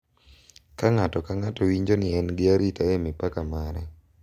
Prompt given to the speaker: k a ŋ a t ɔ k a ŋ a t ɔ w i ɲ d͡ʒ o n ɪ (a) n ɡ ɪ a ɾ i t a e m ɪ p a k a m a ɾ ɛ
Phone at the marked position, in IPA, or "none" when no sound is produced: ɛ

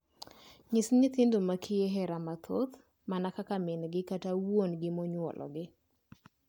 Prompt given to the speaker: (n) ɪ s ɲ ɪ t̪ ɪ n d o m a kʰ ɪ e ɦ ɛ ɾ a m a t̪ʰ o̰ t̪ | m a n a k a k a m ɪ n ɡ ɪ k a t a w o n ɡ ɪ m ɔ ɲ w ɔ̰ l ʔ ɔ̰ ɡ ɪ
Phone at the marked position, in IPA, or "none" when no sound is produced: ɲ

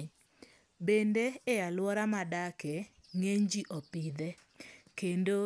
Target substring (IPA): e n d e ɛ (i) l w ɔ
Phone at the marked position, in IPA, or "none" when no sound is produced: a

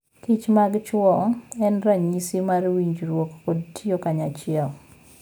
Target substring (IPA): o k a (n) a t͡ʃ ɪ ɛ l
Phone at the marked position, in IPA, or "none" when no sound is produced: ɲ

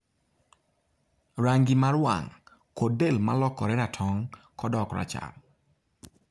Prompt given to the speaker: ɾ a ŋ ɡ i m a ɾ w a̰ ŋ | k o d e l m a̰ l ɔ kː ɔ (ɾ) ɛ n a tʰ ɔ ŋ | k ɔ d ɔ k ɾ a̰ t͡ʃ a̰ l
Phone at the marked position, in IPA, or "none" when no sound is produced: ɾ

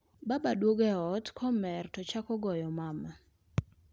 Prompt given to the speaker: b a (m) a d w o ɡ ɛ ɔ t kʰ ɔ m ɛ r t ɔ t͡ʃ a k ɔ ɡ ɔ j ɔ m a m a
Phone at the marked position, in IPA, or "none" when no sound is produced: b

